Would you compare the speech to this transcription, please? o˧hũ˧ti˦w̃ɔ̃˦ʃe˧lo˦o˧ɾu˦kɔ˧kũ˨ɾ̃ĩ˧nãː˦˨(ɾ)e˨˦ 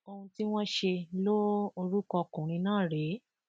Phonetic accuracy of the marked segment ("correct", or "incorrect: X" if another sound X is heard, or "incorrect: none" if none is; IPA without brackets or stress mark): correct